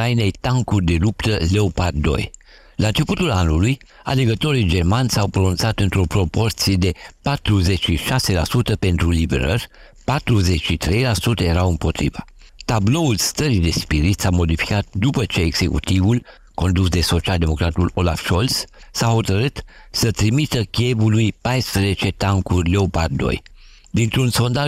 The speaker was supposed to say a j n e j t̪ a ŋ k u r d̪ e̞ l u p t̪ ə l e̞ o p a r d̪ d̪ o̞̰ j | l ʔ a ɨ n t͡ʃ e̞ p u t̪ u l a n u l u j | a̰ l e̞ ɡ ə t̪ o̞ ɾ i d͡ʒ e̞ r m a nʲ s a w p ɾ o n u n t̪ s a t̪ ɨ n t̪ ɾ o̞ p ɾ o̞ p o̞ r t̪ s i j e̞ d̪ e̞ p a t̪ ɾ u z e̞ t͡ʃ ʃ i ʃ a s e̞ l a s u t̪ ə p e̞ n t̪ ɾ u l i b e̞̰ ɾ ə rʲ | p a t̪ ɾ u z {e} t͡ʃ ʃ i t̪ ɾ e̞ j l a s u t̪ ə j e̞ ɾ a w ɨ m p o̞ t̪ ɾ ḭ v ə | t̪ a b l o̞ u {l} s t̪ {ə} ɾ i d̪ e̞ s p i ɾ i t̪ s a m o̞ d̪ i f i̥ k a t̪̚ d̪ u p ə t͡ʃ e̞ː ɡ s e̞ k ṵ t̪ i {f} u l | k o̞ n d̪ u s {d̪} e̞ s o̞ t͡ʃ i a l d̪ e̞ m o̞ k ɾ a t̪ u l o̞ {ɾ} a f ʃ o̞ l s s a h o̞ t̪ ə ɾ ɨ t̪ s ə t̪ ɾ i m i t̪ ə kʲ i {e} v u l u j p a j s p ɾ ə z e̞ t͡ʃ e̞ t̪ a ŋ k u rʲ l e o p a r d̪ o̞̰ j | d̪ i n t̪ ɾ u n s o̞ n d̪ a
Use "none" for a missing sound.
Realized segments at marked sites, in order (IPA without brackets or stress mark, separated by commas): e, l, ə, v, d̪, l, e